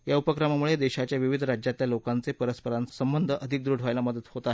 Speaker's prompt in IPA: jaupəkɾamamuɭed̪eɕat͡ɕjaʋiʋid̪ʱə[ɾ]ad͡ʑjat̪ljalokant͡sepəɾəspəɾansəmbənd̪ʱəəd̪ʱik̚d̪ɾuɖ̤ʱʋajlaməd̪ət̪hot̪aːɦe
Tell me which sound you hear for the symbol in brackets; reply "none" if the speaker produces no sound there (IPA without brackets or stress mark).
ɾ